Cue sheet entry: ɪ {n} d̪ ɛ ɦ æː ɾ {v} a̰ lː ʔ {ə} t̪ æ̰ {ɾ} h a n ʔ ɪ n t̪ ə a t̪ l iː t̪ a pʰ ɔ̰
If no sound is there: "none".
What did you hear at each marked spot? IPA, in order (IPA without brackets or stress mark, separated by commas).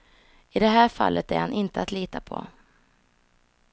none, f, ə, ɾ